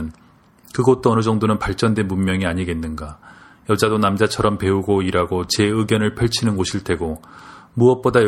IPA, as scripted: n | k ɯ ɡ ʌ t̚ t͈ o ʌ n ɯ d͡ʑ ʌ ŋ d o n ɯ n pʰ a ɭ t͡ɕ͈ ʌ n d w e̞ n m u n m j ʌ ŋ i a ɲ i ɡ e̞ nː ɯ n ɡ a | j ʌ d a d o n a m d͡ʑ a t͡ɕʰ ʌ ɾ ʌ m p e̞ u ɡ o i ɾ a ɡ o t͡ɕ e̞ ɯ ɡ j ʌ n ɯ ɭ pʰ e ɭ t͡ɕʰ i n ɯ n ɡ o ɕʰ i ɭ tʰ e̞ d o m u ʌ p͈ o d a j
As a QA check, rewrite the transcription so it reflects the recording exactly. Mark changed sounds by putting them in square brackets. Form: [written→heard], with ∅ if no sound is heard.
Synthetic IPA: n | k ɯ ɡ ʌ t̚ t͈ o ʌ n ɯ d͡ʑ ʌ ŋ d o n ɯ n [pʰ→p] a ɭ t͡ɕ͈ ʌ n d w e̞ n m u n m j ʌ ŋ i a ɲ i ɡ e̞ nː ɯ n ɡ a | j ʌ [d→d͡ʑ] a d o n a m d͡ʑ a t͡ɕʰ ʌ ɾ ʌ m p e̞ u ɡ o i ɾ a ɡ o t͡ɕ e̞ ɯ ɡ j ʌ n ɯ ɭ pʰ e ɭ t͡ɕʰ i n ɯ n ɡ o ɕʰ i ɭ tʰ e̞ [d→ɡ] o m u ʌ p͈ o d a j